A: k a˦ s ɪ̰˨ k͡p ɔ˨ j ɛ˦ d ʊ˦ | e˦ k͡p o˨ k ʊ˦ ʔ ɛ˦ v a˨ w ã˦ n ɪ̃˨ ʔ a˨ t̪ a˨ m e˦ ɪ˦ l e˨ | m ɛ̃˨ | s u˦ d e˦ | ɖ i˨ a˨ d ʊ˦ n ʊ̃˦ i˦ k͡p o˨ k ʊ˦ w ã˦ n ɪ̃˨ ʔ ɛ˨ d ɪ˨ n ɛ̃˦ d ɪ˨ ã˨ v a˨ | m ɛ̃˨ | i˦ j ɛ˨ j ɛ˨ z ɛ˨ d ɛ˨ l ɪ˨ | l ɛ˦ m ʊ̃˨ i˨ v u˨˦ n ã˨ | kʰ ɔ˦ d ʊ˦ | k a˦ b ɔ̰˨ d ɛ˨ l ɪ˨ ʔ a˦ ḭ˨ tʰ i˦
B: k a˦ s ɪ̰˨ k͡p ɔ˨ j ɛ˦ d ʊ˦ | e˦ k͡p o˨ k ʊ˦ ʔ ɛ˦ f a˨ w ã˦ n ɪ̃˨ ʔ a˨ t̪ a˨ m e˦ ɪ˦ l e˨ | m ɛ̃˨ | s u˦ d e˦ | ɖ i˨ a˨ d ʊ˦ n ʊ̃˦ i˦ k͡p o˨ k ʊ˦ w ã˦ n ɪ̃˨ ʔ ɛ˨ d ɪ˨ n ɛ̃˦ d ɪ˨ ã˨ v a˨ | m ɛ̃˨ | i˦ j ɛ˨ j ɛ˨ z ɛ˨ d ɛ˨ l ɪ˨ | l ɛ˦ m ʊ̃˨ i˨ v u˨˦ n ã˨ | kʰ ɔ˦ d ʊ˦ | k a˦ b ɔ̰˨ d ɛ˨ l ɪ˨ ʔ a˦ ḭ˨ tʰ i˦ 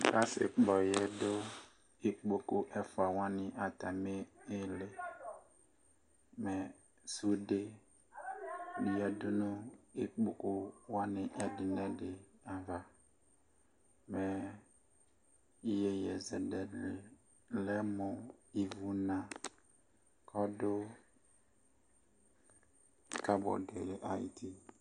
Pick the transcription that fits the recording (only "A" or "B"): B